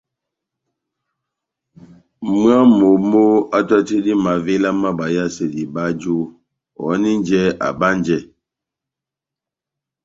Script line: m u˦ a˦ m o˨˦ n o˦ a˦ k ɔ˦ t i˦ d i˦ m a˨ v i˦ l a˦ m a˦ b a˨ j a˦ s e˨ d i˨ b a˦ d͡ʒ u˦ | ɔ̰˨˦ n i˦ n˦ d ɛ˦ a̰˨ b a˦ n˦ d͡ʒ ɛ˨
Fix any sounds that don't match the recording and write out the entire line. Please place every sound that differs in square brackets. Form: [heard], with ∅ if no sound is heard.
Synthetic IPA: m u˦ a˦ m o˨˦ [m] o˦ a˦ [t] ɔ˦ t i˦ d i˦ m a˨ v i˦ l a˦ m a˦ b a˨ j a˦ s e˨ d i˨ b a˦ d͡ʒ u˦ | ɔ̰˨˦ n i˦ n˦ [d͡ʒ] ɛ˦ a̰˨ b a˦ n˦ d͡ʒ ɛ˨